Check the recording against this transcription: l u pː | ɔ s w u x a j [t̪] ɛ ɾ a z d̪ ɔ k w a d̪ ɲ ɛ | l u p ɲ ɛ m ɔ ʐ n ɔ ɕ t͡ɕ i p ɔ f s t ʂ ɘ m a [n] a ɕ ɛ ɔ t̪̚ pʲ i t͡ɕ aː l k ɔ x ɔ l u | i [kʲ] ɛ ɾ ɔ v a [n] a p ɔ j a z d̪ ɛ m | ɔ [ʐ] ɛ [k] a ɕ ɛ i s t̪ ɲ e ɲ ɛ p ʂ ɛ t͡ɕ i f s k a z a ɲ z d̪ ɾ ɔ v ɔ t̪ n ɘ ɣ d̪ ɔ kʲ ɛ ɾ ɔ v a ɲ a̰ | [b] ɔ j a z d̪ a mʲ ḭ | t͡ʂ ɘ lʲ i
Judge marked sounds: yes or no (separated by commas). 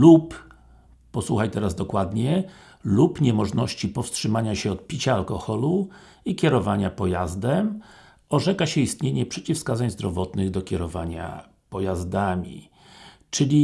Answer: yes, no, yes, no, yes, yes, no